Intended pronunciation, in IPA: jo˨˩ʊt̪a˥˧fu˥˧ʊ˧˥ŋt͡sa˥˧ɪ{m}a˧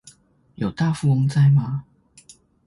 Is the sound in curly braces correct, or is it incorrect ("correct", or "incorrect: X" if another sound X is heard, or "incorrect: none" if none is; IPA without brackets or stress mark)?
correct